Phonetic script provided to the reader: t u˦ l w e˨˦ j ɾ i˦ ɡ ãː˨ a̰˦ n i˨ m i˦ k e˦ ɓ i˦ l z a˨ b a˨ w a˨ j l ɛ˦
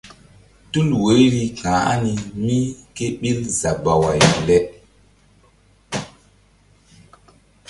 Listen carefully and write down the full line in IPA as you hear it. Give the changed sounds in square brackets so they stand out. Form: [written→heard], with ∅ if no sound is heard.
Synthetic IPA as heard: t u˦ l w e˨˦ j ɾ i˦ [ɡ→k] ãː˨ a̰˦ n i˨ m i˦ k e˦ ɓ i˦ l z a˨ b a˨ w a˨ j l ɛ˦

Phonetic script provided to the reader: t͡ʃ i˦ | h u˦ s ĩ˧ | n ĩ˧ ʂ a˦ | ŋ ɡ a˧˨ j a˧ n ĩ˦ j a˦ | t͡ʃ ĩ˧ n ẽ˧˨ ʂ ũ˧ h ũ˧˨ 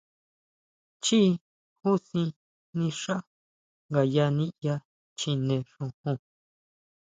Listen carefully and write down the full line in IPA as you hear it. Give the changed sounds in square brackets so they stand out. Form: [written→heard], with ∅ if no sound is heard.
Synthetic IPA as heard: t͡ʃ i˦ | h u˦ s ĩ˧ | n ĩ˧ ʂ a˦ | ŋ ɡ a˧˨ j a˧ n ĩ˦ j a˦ | t͡ʃ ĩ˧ n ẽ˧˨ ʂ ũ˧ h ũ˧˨

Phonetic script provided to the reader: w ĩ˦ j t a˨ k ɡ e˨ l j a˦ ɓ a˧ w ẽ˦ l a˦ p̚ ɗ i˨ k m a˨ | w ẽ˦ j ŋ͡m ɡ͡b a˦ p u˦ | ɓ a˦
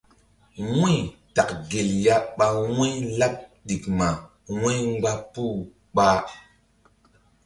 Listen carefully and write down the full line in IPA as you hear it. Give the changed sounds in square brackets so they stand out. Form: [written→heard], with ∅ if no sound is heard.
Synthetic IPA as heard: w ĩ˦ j t a˨ k ɡ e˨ l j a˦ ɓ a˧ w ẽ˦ l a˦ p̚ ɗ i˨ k m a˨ | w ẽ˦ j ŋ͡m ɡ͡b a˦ p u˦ | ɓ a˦

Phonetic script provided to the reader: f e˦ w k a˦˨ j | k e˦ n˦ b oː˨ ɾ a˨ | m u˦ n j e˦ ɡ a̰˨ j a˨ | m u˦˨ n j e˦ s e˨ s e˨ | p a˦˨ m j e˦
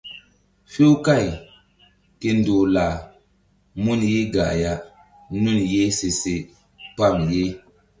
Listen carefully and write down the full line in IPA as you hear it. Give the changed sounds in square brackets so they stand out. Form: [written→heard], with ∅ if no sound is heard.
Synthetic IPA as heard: f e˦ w k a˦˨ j | k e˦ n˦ [b→d] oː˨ [ɾ→l] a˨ | m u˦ n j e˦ ɡ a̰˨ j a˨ | [m→n] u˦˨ n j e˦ s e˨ s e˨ | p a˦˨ m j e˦

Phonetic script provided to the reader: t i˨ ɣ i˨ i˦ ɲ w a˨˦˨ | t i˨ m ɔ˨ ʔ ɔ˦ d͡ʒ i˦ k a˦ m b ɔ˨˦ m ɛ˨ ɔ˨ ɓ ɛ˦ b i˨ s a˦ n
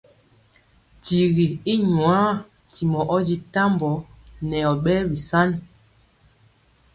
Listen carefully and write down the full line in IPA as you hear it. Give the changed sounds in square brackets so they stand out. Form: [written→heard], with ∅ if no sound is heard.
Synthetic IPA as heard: t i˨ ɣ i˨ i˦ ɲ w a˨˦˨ | t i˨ m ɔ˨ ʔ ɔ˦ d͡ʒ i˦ [k→t] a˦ m b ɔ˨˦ [m→n] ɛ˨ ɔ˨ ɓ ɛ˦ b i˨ s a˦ n

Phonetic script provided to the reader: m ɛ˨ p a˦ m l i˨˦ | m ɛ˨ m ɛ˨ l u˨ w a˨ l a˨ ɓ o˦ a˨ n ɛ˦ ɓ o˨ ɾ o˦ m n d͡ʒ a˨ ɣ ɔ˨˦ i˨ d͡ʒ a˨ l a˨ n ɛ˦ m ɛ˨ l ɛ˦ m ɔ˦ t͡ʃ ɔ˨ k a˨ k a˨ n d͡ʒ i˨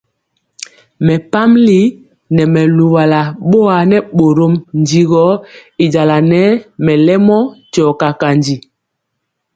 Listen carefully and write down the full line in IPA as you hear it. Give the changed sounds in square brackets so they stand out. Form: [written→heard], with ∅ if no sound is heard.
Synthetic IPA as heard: m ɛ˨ p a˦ m l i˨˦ | [m→n] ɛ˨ m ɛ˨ l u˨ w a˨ l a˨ ɓ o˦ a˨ n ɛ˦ ɓ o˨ ɾ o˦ m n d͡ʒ [a˨→i˨] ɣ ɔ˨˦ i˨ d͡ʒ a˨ l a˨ n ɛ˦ m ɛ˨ l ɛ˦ m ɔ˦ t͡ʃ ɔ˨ k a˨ k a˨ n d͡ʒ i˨

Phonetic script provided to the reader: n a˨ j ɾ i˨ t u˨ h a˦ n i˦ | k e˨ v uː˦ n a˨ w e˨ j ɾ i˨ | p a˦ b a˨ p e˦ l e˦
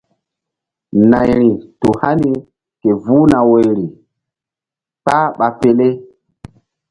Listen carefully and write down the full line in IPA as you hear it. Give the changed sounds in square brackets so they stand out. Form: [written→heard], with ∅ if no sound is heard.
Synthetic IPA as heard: n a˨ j ɾ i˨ t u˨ h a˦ n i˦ | k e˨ v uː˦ n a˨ w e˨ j ɾ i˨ | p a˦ [b→ɓ] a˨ p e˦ l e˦

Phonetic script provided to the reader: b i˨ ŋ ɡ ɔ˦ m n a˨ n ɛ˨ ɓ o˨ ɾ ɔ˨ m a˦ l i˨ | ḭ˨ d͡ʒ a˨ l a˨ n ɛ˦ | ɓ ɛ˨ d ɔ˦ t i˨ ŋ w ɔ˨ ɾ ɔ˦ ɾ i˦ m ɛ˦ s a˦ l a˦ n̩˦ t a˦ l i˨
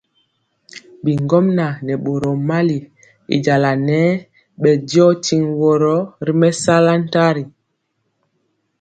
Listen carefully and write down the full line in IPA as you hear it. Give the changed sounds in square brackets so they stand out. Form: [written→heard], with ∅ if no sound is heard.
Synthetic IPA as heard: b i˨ ŋ ɡ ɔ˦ m n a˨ n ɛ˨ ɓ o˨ ɾ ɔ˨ m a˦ l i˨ | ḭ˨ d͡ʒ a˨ l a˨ n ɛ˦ | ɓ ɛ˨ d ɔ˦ t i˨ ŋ w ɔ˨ ɾ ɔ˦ ɾ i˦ m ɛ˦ s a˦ l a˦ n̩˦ t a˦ [l→ɾ] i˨

